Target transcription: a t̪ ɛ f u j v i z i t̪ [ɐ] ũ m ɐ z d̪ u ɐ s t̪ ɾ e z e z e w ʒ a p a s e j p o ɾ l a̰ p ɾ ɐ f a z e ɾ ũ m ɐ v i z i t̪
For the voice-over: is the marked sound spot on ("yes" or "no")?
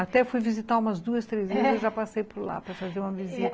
no